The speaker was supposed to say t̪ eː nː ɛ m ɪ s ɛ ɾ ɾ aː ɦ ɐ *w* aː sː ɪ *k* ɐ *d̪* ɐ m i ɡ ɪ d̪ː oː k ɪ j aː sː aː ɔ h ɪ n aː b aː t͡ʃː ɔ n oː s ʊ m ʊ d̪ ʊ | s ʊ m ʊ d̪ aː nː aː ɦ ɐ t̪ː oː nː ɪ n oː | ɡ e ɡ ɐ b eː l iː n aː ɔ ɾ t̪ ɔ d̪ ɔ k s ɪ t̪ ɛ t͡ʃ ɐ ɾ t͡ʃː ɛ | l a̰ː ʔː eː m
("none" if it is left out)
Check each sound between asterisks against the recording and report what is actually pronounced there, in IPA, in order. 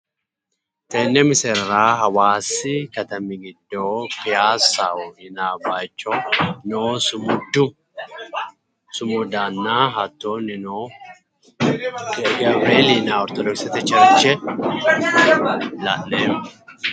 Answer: w, k, t̪

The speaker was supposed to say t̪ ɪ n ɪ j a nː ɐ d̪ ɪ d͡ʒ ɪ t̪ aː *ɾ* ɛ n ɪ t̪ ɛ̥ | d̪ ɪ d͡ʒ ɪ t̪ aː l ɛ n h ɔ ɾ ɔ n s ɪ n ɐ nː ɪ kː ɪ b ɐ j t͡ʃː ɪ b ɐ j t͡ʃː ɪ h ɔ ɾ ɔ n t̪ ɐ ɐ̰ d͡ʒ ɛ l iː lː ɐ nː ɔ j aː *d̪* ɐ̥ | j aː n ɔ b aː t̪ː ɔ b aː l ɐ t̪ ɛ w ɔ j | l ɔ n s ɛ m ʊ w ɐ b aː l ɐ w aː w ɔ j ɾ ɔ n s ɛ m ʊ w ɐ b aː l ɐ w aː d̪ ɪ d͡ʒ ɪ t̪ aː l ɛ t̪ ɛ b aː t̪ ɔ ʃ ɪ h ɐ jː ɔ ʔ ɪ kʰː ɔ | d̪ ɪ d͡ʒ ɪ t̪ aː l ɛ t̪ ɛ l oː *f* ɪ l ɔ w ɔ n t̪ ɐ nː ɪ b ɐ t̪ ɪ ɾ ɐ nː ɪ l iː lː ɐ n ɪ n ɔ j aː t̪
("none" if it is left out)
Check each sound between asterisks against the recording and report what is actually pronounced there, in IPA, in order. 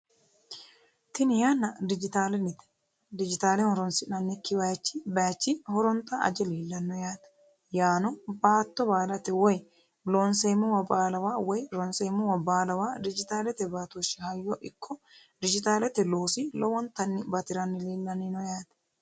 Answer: l, t̪, s

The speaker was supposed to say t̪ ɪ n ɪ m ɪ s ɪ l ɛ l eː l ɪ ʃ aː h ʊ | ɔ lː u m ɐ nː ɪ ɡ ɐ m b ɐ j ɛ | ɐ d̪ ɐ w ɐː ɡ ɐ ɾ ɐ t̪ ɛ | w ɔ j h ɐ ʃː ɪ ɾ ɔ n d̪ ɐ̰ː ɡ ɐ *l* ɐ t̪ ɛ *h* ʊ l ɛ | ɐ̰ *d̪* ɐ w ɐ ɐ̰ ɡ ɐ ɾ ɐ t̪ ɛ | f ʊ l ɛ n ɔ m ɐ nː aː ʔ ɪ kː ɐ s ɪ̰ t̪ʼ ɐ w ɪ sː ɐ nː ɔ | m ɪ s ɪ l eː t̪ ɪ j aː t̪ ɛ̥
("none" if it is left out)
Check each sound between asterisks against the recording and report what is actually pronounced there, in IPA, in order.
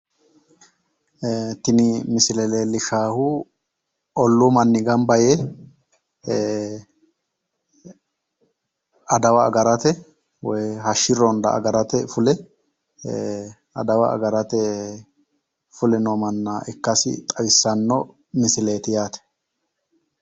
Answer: ɾ, f, d̪

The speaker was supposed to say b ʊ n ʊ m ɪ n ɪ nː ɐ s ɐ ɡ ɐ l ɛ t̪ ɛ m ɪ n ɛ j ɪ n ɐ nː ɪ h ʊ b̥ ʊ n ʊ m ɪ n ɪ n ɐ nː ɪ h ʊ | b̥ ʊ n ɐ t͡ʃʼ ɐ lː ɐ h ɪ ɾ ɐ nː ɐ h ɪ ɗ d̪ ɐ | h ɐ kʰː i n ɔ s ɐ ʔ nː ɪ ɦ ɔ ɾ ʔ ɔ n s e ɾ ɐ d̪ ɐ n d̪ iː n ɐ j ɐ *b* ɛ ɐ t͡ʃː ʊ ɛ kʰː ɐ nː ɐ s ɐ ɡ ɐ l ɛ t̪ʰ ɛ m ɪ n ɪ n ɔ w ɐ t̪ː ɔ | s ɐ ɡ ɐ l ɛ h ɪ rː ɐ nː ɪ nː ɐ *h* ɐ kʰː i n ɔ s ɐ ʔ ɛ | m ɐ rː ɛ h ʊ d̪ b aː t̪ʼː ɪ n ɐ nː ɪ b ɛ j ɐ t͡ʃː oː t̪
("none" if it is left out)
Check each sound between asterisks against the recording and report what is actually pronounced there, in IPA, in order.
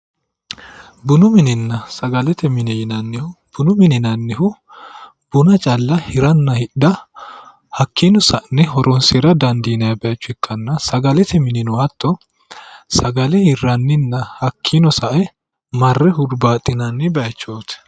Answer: b, h

